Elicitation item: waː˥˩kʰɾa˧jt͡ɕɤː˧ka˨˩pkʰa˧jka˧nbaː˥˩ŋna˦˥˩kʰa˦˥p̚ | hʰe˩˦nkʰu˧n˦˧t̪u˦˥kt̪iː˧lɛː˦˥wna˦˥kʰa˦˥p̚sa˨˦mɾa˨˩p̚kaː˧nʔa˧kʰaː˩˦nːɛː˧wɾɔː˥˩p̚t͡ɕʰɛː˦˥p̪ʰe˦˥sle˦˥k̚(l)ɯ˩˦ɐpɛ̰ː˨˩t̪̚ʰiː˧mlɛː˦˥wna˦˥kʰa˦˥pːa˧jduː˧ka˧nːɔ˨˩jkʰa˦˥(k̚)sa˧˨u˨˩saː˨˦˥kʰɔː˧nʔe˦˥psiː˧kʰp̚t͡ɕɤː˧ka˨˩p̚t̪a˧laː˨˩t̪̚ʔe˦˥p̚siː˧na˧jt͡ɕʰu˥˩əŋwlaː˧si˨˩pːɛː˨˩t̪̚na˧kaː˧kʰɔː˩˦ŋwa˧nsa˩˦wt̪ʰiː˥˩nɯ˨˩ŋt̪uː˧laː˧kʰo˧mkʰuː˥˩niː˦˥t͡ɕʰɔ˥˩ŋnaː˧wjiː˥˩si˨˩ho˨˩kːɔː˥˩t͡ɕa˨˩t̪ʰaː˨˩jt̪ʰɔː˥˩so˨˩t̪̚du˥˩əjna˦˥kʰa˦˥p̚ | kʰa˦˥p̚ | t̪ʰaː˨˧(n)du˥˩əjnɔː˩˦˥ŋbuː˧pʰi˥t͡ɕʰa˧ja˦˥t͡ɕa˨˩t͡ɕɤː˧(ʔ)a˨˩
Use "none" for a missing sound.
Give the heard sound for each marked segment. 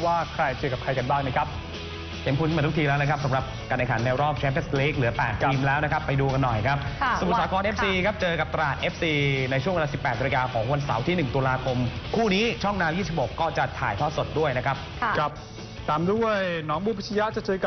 l, p̚, m, k

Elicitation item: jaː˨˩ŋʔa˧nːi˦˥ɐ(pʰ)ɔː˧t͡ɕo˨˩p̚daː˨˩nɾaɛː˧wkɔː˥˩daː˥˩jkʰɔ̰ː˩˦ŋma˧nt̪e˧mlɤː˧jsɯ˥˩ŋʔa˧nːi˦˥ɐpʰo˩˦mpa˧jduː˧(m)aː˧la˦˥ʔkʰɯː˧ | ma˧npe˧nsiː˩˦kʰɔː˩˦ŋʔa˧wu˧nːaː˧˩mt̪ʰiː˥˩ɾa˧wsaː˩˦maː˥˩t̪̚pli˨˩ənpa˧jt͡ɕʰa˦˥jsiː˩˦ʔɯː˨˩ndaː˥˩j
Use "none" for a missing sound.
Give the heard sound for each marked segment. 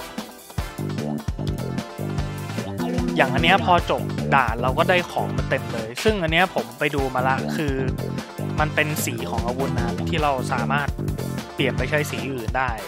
pʰ, m

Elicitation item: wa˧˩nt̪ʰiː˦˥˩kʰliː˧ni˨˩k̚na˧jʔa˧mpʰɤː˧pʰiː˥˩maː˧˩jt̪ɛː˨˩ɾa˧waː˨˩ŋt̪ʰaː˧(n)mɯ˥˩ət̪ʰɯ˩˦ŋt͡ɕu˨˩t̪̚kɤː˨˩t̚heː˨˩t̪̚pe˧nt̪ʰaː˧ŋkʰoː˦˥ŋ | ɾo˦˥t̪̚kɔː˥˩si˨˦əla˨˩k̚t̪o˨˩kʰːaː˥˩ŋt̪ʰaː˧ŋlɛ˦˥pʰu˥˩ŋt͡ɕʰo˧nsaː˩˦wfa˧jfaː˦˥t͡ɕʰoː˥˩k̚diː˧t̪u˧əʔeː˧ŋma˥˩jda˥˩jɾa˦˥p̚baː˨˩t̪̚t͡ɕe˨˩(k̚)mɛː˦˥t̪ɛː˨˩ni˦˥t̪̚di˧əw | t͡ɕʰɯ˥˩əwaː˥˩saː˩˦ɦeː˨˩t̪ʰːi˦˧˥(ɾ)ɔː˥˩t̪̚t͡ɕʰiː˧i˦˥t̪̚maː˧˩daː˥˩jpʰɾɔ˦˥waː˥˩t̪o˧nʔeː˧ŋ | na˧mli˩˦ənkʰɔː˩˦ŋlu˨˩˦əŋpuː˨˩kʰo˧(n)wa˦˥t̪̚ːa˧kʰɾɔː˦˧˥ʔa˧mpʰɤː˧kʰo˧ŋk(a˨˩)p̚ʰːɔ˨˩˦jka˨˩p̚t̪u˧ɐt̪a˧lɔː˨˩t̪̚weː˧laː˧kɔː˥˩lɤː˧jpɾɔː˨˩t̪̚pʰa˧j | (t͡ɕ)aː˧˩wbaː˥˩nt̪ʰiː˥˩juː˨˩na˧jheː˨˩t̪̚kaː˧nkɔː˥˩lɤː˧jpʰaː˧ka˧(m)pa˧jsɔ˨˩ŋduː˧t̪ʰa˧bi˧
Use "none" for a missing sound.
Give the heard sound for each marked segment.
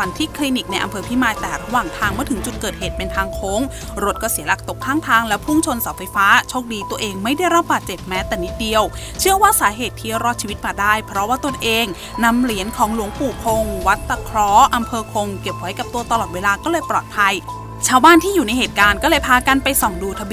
ŋ, p̚, ɾ, ŋ, e˨˩, t͡ɕʰ, n

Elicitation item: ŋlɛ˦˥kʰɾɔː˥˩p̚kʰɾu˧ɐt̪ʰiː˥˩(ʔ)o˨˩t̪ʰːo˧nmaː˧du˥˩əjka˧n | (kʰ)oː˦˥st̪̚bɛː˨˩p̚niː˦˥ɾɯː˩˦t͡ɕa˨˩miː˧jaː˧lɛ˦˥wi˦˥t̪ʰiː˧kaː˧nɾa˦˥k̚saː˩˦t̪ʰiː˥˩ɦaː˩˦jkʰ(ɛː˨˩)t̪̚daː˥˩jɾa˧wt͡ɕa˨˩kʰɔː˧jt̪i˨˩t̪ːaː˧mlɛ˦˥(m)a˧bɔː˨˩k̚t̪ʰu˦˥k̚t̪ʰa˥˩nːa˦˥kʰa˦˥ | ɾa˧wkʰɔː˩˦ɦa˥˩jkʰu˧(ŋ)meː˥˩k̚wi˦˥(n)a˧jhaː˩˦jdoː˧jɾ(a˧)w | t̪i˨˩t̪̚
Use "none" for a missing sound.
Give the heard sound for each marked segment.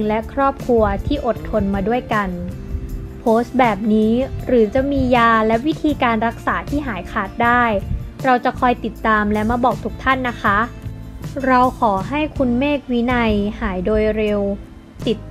ʔ, pʰ, aː˨˩, m, n, n, e˧

